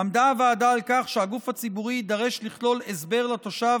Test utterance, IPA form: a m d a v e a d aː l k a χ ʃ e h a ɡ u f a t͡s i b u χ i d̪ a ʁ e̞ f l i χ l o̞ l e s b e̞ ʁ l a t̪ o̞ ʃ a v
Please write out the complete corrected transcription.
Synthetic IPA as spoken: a m d a v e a d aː l k a χ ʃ e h a ɡ u f a t͡s i b u ʁ i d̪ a ʁ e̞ ʃ l i χ l o̞ l e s b e̞ ʁ l a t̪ o̞ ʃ a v